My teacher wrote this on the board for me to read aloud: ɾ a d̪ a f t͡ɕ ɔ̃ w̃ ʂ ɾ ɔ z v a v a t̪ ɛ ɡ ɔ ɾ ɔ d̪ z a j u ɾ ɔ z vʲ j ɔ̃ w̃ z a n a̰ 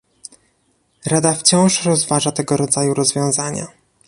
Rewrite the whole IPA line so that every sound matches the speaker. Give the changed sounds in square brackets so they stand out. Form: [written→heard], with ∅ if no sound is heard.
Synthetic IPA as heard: ɾ a d̪ a f t͡ɕ ɔ̃ w̃ ʂ ɾ ɔ z v a [v→ʐ] a t̪ ɛ ɡ ɔ ɾ ɔ d̪ z a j u ɾ ɔ z vʲ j ɔ̃ w̃ z a [n→ɲ] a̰